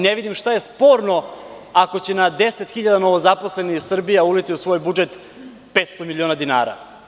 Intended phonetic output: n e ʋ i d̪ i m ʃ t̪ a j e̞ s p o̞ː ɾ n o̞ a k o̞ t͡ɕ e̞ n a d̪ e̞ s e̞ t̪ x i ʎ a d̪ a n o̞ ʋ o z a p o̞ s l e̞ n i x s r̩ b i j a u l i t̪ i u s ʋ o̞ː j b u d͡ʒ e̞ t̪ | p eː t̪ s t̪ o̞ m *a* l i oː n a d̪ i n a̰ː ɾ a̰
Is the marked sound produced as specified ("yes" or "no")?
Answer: no